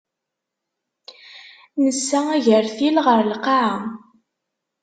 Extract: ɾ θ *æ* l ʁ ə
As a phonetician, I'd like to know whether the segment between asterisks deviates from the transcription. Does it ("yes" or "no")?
yes